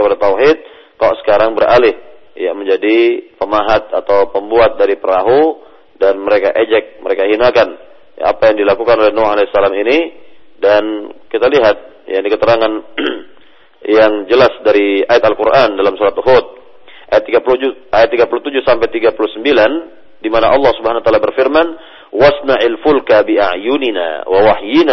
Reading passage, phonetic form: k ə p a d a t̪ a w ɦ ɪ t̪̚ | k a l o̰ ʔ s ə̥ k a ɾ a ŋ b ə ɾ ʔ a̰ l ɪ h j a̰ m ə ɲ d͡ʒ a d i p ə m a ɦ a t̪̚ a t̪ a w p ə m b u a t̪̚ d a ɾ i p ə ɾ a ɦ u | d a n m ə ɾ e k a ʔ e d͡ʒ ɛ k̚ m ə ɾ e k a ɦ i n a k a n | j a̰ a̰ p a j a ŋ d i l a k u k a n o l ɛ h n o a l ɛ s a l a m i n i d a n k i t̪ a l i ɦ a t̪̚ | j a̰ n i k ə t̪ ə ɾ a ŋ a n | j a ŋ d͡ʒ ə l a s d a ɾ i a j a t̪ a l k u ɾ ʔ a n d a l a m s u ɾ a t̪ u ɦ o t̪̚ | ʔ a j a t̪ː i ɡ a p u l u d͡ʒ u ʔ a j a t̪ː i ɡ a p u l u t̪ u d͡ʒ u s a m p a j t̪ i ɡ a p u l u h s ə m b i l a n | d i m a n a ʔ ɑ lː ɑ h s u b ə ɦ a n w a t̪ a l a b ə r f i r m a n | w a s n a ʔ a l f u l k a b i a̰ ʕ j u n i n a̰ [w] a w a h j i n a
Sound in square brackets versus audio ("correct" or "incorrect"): correct